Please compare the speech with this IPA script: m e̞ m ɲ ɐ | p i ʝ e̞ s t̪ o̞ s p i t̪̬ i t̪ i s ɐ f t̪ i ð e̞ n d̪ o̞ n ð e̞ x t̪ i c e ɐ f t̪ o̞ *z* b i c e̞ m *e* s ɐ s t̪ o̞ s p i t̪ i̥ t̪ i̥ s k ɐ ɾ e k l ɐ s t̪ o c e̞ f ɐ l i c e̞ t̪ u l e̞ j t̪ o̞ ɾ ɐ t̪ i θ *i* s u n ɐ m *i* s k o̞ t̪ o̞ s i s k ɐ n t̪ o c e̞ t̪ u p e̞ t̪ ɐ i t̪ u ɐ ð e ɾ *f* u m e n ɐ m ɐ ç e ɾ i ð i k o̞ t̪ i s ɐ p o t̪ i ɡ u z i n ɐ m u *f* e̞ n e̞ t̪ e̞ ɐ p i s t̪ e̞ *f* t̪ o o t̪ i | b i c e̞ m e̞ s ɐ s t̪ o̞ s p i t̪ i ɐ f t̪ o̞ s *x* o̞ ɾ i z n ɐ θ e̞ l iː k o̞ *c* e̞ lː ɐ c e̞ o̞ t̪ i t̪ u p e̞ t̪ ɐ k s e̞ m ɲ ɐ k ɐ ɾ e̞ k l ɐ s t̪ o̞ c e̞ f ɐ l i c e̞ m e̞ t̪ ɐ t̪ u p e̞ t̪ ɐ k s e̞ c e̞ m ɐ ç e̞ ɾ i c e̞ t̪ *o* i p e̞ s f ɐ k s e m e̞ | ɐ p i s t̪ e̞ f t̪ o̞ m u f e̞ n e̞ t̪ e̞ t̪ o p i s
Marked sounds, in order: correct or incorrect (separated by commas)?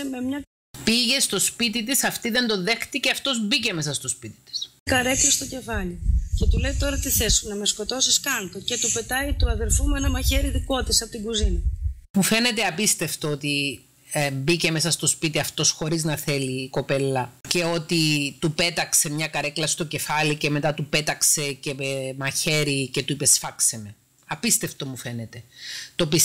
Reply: correct, correct, incorrect, incorrect, correct, correct, correct, correct, incorrect, incorrect